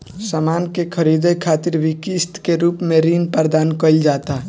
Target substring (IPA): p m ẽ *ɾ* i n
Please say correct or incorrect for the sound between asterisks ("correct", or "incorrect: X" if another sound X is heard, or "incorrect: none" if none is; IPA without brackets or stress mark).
correct